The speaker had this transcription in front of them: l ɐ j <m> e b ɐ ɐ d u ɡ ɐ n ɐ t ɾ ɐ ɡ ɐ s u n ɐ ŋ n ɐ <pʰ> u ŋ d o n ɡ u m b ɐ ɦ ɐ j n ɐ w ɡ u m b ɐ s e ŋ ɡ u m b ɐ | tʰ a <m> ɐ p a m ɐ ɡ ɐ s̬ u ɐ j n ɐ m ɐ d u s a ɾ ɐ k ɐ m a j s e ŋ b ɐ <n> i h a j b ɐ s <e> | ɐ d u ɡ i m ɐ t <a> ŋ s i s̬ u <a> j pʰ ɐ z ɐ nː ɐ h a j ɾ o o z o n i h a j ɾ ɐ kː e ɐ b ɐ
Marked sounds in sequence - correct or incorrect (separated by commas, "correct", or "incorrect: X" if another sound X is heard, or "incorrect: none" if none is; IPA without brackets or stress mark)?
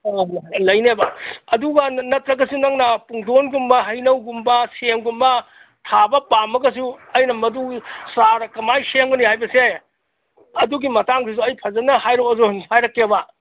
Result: incorrect: n, incorrect: p, incorrect: b, correct, correct, correct, incorrect: ɐ